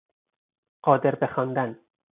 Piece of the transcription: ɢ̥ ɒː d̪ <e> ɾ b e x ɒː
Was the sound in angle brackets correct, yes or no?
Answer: yes